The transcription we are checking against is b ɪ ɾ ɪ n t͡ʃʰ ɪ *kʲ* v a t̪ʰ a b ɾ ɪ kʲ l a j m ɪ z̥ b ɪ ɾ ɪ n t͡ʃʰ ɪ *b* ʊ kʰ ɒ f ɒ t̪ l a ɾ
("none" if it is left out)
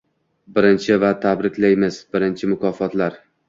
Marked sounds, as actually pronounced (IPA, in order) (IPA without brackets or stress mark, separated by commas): none, m